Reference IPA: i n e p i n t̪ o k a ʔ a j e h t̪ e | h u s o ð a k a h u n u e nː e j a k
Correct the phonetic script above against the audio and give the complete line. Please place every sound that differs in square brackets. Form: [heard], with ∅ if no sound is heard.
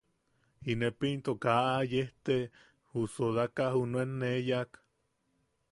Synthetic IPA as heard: i n e p i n t̪ o k a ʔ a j e h t̪ e | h u s o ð a k a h u n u e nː e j a k